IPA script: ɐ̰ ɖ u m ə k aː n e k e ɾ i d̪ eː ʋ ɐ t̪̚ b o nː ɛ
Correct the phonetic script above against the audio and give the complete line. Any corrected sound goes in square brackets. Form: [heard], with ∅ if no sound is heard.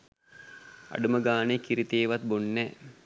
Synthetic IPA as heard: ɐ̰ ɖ u m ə [ɡ] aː n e k [i] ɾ i [t̪] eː ʋ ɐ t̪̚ b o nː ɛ

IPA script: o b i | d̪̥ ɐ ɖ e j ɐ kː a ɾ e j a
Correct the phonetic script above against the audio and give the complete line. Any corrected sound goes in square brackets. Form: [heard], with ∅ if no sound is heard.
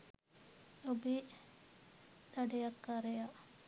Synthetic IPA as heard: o b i | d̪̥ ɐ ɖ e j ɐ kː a ɾ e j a

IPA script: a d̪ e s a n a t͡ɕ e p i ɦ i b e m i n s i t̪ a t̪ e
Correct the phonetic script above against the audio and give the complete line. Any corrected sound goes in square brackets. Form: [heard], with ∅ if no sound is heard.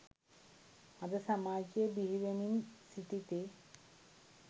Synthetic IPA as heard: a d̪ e s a [m] a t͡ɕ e [b] i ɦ i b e m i n s i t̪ [i] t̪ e

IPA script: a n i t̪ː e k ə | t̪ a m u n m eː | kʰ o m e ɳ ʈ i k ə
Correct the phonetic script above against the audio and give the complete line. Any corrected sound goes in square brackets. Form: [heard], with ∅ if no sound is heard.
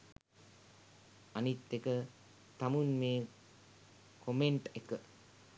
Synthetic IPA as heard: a n i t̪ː e k ə | t̪ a m u n m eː | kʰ o m e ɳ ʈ [e] k ə

